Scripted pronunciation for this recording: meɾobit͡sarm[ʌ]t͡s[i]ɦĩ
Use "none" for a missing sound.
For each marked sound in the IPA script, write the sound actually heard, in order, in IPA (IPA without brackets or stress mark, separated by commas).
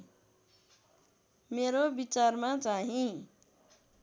a, a